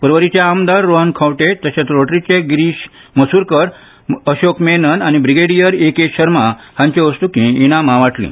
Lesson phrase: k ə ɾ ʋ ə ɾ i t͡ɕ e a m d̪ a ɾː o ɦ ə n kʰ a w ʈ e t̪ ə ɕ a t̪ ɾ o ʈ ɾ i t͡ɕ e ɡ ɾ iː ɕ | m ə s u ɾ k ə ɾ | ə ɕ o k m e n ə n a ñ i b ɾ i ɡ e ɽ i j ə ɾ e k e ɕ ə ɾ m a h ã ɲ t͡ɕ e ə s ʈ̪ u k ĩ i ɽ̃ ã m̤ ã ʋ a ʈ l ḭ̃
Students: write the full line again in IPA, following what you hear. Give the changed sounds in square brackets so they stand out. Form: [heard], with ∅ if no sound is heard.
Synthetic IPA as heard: [p] ə ɾ ʋ ə ɾ i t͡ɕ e a m d̪ a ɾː o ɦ ə n kʰ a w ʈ e t̪ ə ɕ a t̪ ɾ o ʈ ɾ i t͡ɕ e ɡ ɾ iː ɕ | m ə s u ɾ k ə ɾ | ə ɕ o k m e n ə n a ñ i b ɾ i ɡ e ɽ i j ə ɾ e k e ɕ ə ɾ m a h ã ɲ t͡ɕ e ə s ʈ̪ u k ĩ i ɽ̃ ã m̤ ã ʋ a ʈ l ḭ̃